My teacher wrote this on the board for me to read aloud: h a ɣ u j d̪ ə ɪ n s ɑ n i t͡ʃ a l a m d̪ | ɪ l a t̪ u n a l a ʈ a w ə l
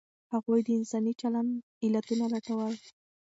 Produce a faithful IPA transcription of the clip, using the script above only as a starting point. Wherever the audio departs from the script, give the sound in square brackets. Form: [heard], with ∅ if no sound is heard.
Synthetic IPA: h a ɣ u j d̪ ə ɪ n s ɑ n i t͡ʃ a l a [n] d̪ | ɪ l a t̪ u n a l a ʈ a w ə l